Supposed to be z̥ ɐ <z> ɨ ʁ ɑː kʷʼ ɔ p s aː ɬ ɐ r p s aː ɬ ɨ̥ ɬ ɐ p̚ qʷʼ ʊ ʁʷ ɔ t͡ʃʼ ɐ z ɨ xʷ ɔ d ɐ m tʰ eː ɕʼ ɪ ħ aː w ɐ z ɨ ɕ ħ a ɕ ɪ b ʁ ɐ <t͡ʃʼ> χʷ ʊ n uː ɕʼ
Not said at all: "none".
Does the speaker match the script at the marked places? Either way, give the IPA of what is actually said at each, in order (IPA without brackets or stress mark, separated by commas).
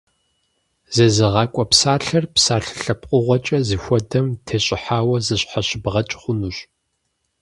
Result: z, t͡ʃʼ